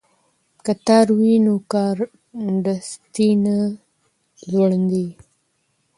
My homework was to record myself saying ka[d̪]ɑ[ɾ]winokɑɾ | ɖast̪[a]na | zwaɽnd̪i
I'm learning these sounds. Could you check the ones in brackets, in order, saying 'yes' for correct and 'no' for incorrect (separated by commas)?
no, yes, no